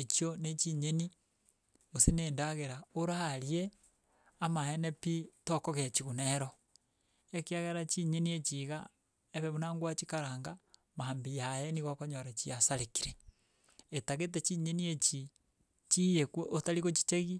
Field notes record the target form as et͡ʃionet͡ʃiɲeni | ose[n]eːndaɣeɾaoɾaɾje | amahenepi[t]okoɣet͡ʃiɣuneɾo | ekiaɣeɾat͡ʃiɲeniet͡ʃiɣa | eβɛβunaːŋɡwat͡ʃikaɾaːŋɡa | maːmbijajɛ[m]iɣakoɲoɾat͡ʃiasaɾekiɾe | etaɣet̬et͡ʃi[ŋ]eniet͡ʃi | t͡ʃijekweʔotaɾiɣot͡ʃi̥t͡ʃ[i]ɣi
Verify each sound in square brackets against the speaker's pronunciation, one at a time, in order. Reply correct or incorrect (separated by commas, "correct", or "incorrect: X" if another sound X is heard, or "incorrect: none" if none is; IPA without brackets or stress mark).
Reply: correct, correct, incorrect: n, incorrect: ɲ, incorrect: e